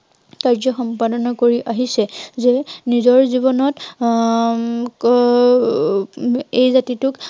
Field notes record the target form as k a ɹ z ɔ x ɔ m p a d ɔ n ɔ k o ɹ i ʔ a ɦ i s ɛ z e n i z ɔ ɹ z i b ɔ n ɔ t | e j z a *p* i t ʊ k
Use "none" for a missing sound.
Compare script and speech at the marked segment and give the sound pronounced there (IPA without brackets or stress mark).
t